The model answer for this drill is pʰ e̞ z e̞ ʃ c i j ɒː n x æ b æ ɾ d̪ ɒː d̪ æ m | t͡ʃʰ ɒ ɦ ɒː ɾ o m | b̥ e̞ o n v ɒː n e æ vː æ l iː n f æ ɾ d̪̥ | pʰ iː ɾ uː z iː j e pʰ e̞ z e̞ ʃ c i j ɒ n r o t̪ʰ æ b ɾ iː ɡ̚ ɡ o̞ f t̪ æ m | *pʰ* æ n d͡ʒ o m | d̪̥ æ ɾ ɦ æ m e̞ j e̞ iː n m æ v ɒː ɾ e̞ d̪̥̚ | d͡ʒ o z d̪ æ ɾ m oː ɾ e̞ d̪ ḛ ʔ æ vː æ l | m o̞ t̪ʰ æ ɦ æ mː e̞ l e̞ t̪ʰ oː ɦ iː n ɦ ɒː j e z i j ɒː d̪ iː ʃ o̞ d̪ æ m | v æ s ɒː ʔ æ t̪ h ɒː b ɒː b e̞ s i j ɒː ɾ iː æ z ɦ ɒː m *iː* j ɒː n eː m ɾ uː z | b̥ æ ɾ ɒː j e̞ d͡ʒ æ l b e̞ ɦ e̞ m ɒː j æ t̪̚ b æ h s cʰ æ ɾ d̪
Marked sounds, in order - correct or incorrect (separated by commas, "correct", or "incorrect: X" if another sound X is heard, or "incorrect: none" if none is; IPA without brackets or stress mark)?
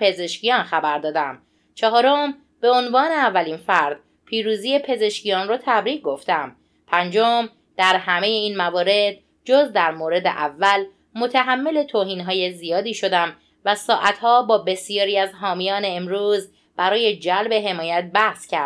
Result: correct, incorrect: i